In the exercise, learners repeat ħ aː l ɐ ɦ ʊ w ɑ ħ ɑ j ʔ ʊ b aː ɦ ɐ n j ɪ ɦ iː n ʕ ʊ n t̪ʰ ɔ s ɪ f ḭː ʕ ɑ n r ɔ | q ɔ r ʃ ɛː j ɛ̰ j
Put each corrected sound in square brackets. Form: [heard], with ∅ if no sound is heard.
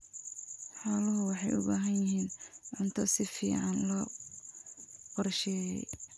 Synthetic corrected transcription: ħ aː l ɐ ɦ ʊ w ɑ ħ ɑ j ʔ ʊ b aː ɦ ɐ n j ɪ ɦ iː n ʕ ʊ n t̪ʰ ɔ s ɪ f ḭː ʕ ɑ n [l] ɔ | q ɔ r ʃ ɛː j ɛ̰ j